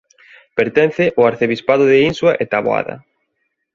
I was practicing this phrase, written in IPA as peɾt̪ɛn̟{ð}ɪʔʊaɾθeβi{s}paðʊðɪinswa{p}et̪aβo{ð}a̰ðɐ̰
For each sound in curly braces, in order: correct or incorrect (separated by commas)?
incorrect, correct, incorrect, incorrect